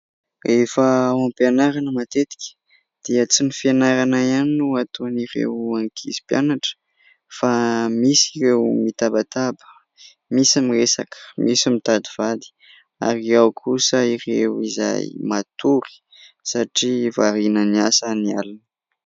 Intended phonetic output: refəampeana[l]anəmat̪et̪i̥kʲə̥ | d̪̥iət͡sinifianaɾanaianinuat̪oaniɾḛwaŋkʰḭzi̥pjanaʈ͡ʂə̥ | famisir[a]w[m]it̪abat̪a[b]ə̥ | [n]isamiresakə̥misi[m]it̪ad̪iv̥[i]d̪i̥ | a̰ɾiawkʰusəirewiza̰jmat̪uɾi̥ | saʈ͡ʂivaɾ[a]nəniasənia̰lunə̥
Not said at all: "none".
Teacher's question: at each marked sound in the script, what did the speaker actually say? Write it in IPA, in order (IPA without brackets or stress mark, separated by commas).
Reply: ɾ, e, m, b, m, m, a, i